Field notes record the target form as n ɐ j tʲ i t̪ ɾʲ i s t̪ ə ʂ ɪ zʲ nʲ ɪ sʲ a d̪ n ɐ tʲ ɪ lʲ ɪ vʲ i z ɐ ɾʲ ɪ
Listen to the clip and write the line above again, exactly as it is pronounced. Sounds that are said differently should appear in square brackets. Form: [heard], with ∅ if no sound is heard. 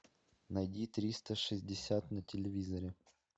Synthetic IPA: n ɐ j [dʲ] i t̪ ɾʲ i s t̪ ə ʂ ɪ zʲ [dʲ] ɪ sʲ a [t̪] n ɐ tʲ ɪ lʲ ɪ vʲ i z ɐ ɾʲ ɪ